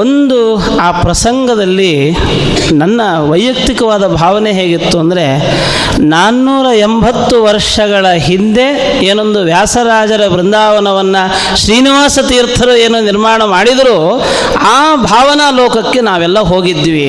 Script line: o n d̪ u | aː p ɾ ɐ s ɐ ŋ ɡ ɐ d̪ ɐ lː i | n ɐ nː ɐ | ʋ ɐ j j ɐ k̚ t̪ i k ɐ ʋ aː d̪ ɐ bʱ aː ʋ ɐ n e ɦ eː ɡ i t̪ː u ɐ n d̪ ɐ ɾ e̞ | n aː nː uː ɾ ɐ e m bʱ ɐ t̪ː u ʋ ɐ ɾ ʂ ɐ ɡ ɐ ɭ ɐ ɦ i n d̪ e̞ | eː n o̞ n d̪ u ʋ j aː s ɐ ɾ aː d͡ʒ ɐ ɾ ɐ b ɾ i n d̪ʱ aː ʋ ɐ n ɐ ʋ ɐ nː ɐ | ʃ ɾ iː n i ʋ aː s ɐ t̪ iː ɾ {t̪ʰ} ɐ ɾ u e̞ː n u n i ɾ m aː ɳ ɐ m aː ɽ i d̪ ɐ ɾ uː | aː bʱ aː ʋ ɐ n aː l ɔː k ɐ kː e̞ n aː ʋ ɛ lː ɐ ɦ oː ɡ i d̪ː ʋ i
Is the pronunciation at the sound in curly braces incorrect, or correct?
correct